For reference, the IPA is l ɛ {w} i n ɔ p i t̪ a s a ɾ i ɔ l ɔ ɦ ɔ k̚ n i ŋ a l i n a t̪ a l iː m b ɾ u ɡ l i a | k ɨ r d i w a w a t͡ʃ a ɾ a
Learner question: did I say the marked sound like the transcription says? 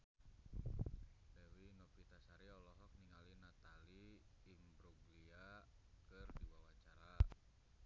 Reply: yes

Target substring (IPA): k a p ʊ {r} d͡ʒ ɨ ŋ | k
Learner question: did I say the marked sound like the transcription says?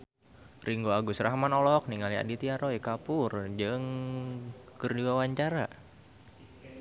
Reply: yes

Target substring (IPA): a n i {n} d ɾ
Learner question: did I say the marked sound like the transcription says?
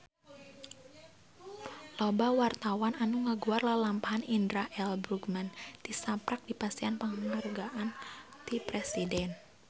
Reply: yes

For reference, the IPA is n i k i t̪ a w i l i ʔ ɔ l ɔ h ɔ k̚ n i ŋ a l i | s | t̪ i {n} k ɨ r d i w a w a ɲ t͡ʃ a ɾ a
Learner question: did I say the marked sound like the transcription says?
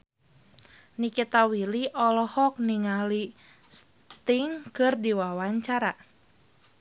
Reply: no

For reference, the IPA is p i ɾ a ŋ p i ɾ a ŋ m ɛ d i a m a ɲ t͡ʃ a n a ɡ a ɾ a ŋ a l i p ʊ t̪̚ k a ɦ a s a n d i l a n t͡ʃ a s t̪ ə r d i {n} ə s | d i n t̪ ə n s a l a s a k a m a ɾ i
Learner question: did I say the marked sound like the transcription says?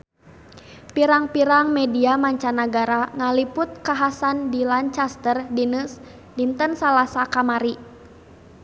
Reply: yes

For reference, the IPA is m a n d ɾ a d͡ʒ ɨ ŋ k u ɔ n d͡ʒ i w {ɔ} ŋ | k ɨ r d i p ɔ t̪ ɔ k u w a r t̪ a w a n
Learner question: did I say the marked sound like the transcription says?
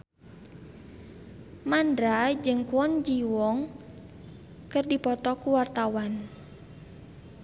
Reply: yes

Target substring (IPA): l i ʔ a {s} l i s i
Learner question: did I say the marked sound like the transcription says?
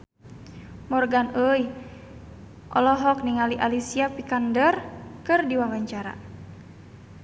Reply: no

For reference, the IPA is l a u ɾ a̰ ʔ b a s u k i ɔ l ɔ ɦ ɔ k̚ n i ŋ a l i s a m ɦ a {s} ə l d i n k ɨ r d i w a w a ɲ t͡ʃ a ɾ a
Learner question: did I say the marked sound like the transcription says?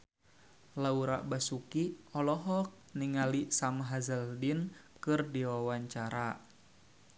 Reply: no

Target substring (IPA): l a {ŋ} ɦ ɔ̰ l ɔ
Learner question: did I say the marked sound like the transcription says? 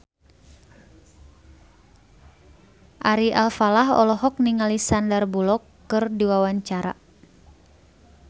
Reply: no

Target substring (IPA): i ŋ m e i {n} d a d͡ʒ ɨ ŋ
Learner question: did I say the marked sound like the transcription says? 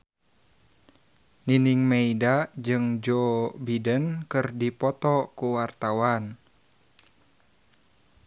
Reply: no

